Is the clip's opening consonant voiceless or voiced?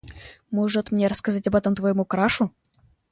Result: voiced